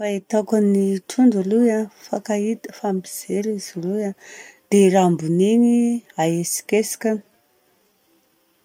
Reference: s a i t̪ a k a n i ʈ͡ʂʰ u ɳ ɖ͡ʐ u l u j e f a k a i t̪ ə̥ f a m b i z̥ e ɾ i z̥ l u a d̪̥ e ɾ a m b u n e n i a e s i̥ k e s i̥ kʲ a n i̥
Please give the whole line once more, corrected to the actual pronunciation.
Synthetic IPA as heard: f a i t̪ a k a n i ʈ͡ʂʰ u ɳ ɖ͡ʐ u l u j a f a k a i t̪ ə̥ f a m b i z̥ e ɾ i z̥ l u a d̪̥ e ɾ a m b u n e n i a e s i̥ k e s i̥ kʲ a n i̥